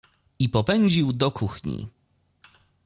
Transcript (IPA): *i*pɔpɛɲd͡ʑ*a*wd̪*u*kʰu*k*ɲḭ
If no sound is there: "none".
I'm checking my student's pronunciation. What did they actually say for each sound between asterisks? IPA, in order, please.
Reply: i, i, ɔ, x

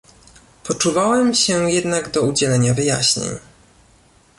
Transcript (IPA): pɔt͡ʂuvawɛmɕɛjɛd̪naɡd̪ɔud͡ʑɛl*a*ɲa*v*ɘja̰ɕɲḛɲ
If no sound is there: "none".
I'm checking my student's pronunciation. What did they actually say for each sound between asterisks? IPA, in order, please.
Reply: ɛ, v

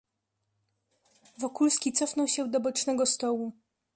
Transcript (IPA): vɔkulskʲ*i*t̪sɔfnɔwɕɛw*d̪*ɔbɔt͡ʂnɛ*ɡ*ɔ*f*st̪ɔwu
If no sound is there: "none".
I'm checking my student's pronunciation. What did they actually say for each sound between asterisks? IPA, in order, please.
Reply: i, d̪, ɡ, none

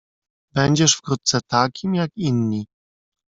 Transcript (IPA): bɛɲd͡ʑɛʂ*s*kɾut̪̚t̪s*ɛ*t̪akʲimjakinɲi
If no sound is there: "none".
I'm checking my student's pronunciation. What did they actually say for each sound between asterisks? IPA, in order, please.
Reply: f, ɛ

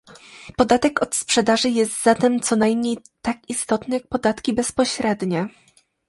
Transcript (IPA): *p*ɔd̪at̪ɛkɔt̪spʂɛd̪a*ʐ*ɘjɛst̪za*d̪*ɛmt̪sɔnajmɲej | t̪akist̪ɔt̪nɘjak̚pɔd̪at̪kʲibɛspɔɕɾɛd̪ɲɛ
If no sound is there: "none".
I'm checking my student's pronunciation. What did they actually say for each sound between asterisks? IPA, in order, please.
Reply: p, ʐ, t̪

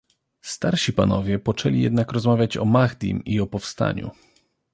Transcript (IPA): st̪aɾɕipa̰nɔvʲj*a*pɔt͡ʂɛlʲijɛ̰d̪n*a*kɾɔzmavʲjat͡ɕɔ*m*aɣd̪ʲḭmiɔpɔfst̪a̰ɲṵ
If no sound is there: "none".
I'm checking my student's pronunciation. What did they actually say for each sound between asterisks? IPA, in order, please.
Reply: ɛ, a, m

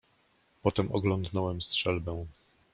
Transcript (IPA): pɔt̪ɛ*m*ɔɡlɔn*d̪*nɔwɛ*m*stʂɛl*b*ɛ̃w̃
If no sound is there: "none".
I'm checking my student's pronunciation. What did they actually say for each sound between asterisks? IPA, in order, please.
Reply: m, d̪, m, b

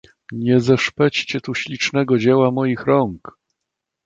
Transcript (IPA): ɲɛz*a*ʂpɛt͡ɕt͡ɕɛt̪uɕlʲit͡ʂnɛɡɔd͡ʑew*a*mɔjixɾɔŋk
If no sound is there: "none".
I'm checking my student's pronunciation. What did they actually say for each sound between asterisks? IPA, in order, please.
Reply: ɛ, a

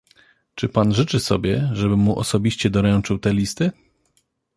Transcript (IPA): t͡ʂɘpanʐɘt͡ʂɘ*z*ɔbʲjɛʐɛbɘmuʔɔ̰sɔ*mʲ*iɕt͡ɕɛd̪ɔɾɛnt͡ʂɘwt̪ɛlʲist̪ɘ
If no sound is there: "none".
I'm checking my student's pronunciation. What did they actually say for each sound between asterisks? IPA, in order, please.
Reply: s, bʲ

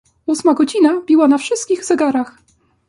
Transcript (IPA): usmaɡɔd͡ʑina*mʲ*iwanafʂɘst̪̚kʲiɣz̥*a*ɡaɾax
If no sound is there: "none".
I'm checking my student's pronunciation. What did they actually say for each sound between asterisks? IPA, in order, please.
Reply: bʲ, ɛ

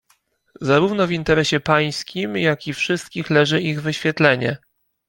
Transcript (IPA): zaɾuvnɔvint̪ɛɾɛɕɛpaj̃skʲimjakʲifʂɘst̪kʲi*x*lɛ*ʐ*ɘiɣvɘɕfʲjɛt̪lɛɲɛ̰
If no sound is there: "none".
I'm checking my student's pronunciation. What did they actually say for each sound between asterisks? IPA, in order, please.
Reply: x, ʐ

